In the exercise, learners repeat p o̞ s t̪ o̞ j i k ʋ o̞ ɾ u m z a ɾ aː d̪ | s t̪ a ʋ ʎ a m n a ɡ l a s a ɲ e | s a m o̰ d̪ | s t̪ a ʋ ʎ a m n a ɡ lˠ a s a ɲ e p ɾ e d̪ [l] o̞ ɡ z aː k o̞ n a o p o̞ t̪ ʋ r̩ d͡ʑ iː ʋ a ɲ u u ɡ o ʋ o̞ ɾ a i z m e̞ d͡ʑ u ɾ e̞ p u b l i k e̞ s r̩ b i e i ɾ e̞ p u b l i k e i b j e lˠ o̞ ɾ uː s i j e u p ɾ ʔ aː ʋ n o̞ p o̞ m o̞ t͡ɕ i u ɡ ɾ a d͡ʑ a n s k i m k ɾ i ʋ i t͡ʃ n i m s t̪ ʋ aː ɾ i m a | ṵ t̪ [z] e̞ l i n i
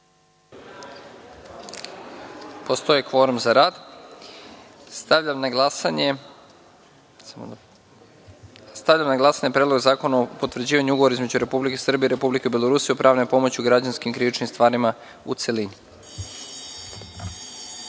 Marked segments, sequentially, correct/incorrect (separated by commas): correct, incorrect